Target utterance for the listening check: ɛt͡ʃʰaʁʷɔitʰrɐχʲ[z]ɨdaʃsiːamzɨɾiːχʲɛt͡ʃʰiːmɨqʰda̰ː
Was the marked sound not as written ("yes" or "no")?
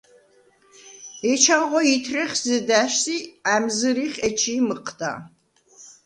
no